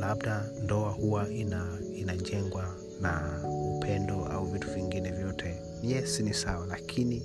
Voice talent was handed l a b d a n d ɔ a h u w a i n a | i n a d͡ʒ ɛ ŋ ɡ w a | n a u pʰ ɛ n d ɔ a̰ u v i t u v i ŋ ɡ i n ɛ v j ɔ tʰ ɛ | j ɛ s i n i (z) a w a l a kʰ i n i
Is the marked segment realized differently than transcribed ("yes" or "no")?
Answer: yes